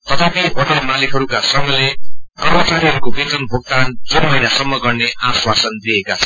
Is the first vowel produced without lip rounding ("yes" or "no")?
yes